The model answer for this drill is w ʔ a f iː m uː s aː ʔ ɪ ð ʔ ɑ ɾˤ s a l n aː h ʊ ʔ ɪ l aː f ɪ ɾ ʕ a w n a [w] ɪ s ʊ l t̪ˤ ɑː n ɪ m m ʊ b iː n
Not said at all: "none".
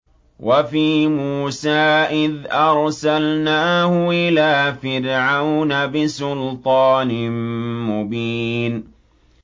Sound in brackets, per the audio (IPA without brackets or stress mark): b